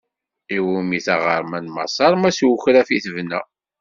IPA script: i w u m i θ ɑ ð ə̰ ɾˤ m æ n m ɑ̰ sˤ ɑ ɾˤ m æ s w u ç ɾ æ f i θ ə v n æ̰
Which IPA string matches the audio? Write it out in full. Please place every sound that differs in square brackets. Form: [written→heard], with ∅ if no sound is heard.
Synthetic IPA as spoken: i w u m i θ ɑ [ð→ʁ] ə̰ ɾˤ m æ n m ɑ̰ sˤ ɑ ɾˤ m æ s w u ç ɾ æ f i θ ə v n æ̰